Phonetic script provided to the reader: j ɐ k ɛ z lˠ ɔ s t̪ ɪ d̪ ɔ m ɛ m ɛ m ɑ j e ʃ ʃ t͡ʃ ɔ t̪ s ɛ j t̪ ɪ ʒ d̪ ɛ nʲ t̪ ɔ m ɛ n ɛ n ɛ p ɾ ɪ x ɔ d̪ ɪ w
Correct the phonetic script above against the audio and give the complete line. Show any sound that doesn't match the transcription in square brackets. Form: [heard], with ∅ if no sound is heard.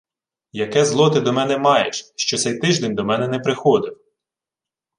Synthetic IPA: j ɐ k ɛ z lˠ ɔ [∅] t̪ ɪ d̪ ɔ m ɛ [n] ɛ m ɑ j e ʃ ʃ t͡ʃ ɔ t̪ s ɛ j t̪ ɪ ʒ d̪ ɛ nʲ [d̪] ɔ m ɛ n ɛ n ɛ p ɾ ɪ x ɔ d̪ ɪ w